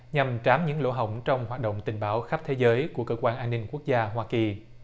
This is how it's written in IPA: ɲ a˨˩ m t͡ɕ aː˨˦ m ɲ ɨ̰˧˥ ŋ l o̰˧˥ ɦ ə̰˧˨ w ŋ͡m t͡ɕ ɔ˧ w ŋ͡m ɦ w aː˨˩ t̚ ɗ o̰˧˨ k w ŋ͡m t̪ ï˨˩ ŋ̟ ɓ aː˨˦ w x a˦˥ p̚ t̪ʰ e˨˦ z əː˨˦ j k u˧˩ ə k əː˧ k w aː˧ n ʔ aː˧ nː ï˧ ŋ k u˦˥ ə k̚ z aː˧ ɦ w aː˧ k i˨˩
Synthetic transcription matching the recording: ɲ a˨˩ m t͡ɕ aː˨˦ m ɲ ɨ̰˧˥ ŋ l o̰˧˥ ɦ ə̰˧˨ w ŋ͡m t͡ɕ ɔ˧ w ŋ͡m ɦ w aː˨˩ t̚ ɗ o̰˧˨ w ŋ͡m t̪ ï˨˩ ŋ̟ ɓ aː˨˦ w x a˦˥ p̚ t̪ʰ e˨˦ z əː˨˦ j k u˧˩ ə k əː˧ k w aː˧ n ʔ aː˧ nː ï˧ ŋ k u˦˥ ə k̚ z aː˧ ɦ w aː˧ k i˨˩